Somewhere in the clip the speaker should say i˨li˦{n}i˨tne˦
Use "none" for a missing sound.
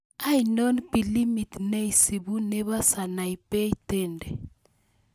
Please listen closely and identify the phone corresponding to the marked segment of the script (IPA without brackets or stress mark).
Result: m